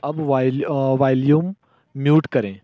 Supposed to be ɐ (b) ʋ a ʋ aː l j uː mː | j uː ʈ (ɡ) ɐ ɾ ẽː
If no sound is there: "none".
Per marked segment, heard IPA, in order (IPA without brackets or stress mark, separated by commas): b, k